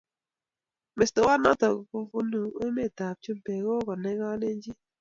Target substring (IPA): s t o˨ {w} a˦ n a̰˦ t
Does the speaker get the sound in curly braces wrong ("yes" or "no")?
no